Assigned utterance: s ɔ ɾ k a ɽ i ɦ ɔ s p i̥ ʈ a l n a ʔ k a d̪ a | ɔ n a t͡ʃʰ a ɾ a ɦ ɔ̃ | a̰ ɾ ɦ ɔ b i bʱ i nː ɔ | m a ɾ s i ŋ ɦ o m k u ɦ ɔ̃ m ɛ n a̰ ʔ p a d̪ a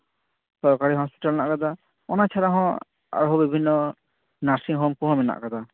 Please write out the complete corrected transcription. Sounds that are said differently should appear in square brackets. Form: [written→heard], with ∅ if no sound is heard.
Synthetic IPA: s ɔ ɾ k a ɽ i ɦ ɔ s p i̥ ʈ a l n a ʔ k a d̪ a | ɔ n a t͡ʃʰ a ɾ a ɦ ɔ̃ | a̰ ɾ ɦ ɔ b i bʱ i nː ɔ | [m→n] a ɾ s i ŋ ɦ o m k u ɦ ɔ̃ m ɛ n a̰ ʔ [p→k] a d̪ a